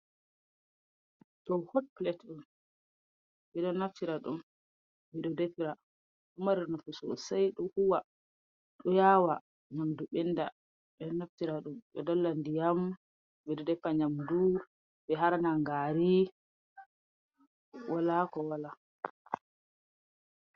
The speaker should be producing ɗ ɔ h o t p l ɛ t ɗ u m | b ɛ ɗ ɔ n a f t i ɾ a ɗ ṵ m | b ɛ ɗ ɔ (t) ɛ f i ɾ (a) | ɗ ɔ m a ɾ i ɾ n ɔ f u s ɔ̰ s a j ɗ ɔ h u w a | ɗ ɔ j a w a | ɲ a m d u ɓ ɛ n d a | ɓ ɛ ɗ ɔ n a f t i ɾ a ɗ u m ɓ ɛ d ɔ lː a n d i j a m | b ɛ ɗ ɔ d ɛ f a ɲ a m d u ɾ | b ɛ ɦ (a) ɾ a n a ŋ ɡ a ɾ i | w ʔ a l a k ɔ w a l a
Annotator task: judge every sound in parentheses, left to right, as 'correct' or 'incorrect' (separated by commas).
incorrect, correct, correct